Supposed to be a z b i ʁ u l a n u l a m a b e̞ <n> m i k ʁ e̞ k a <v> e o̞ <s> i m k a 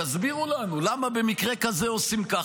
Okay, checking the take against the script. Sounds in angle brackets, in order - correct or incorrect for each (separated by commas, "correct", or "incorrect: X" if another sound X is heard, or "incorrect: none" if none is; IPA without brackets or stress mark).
incorrect: none, incorrect: z, correct